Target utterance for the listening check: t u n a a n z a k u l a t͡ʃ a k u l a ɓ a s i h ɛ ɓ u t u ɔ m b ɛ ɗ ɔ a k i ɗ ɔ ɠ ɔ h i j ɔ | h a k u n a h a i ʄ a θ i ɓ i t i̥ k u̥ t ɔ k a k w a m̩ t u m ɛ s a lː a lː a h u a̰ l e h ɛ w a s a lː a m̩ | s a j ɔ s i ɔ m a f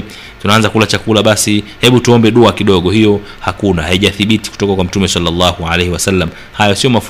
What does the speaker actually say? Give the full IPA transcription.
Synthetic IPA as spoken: t u n a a n z a k u l a t͡ʃ a k u l a ɓ a s i h ɛ ɓ u t u ɔ m b ɛ ɗ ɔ a k i ɗ ɔ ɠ ɔ h i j ɔ | h a k u n a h a i ʄ a θ i ɓ i t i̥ k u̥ t ɔ k a k w a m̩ t u m ɛ s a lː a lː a h u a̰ l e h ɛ w a s a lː a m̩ | h a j ɔ s i ɔ m a f